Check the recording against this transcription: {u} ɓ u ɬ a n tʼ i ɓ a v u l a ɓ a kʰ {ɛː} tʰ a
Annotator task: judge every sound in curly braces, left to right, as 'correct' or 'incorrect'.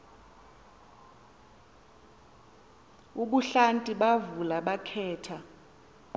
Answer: correct, correct

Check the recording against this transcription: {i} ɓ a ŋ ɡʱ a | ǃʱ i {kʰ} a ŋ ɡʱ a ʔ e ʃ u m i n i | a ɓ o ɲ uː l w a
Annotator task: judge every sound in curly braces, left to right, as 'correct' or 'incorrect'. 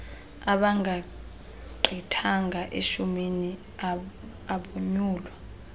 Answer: incorrect: a, incorrect: tʰ

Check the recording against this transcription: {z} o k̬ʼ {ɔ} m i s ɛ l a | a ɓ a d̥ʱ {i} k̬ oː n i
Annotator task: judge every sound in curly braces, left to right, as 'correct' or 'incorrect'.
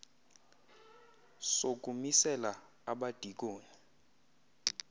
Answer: incorrect: s, incorrect: u, correct

